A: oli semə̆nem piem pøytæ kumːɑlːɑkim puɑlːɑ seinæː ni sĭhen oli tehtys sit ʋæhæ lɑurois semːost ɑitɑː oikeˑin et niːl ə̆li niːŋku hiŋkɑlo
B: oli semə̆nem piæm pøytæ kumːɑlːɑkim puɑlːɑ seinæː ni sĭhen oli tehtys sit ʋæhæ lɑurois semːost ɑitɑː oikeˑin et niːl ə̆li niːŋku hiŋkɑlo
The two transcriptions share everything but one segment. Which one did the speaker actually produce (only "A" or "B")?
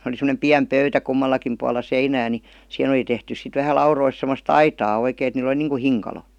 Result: B